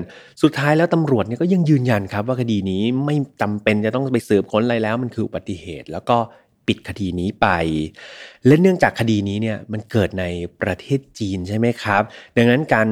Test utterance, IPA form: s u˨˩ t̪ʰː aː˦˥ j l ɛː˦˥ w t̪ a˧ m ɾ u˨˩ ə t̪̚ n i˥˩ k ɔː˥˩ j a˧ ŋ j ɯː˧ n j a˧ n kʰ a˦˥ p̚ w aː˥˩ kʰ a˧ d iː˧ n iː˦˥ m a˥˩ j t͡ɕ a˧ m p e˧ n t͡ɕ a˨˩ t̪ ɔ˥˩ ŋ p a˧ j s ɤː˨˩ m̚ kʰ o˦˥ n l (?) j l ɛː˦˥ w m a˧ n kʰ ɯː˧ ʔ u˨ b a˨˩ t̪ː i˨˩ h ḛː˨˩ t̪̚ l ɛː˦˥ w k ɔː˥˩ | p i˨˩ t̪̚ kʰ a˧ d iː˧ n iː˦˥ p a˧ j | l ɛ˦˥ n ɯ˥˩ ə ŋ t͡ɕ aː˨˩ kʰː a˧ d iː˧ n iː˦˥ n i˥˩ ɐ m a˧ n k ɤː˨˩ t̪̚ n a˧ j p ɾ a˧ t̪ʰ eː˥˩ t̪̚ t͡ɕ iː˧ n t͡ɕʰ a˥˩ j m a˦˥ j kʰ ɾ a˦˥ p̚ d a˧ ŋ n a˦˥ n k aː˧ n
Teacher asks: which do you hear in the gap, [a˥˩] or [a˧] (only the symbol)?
a˧